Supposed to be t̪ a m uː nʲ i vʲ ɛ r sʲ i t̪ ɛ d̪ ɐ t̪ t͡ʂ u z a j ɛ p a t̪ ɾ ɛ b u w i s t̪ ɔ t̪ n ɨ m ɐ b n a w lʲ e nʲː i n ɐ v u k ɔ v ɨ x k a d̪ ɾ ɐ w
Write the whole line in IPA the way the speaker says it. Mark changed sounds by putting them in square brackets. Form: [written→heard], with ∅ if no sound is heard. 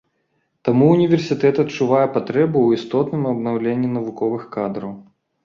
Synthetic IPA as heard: t̪ a m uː nʲ i vʲ ɛ r sʲ i t̪ ɛ [d̪→t̪] ɐ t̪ t͡ʂ u [z→v] a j ɛ p a t̪ ɾ ɛ b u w i s t̪ ɔ t̪ n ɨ m ɐ b n a w lʲ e nʲː i n ɐ v u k ɔ v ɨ x k a d̪ ɾ ɐ w